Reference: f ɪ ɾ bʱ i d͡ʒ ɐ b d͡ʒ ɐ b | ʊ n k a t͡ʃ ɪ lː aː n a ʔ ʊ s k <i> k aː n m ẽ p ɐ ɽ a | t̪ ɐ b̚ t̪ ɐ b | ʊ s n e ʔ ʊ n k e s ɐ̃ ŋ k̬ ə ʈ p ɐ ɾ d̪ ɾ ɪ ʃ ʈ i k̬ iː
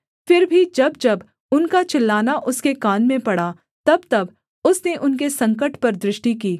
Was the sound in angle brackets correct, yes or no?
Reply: no